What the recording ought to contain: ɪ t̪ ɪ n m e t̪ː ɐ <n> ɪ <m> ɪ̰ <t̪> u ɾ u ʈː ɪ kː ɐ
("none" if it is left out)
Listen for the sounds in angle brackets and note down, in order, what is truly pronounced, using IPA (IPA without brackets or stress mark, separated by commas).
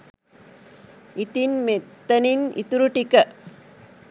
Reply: n, n, t̪